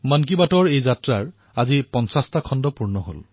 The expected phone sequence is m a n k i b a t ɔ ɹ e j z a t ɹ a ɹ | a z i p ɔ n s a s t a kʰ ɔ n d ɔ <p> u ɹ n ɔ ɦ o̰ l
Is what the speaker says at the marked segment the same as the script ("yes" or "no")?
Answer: yes